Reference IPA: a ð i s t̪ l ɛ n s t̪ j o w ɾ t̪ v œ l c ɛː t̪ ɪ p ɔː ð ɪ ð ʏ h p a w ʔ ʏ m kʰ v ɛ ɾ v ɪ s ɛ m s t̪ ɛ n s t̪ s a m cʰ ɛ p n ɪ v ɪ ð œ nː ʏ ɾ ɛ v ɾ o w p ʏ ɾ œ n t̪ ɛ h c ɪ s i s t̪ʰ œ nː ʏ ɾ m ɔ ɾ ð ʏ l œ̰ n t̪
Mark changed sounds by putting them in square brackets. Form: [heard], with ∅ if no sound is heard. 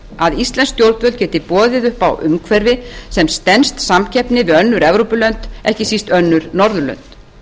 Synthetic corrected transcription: a ð i s t̪ l ɛ n s t̪ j o w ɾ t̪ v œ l c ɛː t̪ ɪ p ɔː ð ɪ ð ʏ h p a w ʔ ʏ m kʰ v ɛ ɾ v ɪ s ɛ m s t̪ ɛ n s t̪ s a m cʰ ɛ p n ɪ v ɪ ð œ nː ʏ ɾ ɛ v ɾ o w p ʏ [l] œ n t̪ ɛ h c ɪ s i s [t̪] œ nː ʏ ɾ [n] ɔ ɾ ð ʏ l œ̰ n t̪